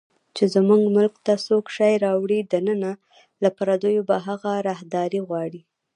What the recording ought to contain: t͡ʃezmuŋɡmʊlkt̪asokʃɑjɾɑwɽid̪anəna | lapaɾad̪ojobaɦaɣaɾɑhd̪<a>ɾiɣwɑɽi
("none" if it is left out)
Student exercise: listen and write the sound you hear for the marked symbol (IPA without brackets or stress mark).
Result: ɑ